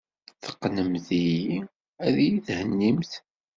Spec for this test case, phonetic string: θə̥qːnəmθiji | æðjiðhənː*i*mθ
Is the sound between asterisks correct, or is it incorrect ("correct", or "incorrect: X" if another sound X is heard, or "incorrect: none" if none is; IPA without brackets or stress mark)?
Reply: correct